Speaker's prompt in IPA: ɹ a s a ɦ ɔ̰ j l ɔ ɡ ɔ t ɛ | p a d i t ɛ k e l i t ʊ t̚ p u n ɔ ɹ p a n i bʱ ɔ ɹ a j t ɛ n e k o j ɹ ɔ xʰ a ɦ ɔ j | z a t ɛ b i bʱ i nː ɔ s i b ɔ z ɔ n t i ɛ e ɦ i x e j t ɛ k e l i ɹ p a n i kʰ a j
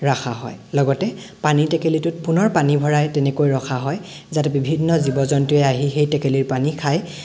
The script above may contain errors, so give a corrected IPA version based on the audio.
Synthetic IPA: ɹ a x a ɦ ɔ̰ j l ɔ ɡ ɔ t ɛ | p a n i t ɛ k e l i t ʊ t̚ p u n ɔ ɹ p a n i bʱ ɔ ɹ a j t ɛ n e k o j ɹ ɔ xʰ a ɦ ɔ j | z a t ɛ b i bʱ i nː ɔ z i b ɔ z ɔ n t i ɛ a ɦ i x e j t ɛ k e l i ɹ p a n i kʰ a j